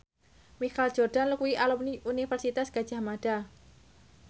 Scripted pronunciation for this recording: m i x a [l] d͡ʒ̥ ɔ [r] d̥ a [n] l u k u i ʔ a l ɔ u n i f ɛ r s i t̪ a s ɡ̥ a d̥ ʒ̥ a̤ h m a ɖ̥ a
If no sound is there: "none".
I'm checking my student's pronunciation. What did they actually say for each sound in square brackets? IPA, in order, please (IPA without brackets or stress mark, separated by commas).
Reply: l, r, n